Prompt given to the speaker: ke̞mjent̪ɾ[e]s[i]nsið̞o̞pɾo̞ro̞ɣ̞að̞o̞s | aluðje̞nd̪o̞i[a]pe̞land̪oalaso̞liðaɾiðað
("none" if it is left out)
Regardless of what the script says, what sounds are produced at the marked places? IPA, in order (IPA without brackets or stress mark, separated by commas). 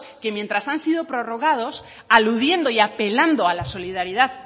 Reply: a, a, a